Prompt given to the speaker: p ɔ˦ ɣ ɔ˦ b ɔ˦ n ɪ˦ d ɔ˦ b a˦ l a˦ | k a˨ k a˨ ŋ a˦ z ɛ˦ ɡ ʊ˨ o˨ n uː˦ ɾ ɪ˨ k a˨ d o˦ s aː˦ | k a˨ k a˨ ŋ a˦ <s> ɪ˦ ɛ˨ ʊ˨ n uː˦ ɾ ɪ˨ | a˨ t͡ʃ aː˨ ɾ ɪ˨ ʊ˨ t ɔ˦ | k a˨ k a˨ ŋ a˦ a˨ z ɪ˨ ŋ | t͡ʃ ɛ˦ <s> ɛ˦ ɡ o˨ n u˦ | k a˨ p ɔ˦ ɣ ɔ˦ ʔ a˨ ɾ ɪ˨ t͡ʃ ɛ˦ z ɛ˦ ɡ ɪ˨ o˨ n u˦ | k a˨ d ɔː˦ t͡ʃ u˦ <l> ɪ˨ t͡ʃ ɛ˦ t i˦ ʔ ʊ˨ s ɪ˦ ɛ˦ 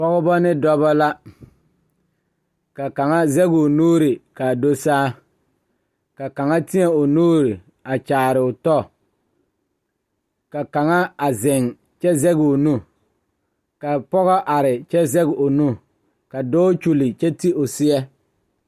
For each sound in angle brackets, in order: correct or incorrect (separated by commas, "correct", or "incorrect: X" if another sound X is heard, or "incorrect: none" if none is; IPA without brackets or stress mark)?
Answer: incorrect: t, incorrect: z, correct